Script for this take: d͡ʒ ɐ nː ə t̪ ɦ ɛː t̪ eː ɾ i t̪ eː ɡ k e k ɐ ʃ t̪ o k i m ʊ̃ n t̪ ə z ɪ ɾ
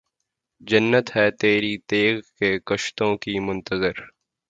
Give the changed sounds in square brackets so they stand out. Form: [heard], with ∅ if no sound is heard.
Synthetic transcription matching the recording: d͡ʒ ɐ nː ə t̪ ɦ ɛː t̪ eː ɾ i t̪ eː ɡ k e k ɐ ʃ t̪ [õ] k i m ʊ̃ n t̪ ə z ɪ ɾ